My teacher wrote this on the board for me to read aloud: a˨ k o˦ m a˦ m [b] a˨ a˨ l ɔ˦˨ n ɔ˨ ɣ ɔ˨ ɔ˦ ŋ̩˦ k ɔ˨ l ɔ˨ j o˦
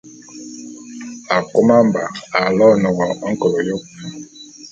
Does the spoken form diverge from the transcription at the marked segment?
no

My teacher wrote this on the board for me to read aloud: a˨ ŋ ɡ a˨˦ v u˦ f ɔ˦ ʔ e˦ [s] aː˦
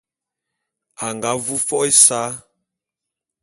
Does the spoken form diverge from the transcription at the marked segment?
no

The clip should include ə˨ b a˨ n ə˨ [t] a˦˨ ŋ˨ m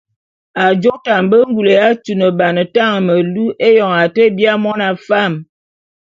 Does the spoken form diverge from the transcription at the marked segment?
no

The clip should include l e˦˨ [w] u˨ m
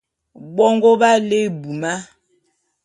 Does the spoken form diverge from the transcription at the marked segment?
yes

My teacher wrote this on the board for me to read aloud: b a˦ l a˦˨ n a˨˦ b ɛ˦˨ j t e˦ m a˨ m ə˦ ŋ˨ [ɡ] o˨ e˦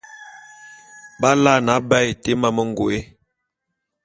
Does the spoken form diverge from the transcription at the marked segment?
no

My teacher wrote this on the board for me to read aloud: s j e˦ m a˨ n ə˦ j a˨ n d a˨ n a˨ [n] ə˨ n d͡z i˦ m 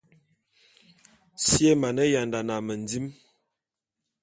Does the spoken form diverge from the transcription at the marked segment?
yes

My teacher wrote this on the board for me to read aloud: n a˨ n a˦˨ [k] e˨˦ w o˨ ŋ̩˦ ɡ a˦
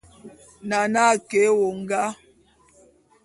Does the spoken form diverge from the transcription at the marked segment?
no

